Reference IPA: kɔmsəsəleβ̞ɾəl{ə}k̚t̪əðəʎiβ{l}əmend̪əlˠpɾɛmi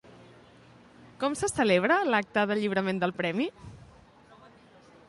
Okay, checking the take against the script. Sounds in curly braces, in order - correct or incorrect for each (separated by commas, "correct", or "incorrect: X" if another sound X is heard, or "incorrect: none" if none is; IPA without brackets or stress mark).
incorrect: a, incorrect: ɾ